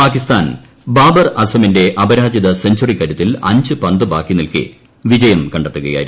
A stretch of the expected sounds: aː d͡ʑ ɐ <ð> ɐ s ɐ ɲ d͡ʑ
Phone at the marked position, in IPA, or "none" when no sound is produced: ð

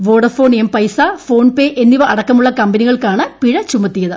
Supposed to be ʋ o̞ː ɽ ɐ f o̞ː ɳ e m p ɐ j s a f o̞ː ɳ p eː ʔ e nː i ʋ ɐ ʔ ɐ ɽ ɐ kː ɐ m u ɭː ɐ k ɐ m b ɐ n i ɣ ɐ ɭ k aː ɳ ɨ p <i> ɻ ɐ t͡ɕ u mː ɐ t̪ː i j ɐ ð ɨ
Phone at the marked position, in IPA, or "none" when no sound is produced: i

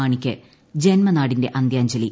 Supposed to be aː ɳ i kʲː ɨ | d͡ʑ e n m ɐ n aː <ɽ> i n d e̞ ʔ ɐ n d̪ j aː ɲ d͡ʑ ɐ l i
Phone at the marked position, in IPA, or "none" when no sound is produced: ɽ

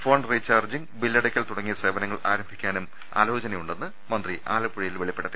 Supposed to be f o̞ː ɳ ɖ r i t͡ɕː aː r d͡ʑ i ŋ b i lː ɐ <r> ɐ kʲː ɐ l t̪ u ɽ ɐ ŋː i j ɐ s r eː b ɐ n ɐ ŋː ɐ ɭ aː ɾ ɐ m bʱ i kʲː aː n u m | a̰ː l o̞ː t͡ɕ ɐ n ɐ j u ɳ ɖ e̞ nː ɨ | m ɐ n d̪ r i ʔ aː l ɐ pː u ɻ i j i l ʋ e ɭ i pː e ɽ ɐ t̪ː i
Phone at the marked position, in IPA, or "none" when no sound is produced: ɽ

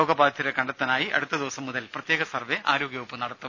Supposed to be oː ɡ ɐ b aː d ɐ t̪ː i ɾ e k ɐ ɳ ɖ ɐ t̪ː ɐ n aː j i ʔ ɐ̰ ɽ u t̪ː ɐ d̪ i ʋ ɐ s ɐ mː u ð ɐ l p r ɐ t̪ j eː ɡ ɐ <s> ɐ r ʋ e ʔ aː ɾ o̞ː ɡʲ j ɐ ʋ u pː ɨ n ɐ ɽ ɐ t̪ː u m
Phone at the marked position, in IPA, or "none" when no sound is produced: s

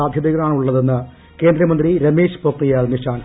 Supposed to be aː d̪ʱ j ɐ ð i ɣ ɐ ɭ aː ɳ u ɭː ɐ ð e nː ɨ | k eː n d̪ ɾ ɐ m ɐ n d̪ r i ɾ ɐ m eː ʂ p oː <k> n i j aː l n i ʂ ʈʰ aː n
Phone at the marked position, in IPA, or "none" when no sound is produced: k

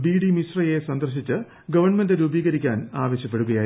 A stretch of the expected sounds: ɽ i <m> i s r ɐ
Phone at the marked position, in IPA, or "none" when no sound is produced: m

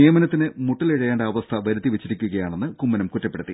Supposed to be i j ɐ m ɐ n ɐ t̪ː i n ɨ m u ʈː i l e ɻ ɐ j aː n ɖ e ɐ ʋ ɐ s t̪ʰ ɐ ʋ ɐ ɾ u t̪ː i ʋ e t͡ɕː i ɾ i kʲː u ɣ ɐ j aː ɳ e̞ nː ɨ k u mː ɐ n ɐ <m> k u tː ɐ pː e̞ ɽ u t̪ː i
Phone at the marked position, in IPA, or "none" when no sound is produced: m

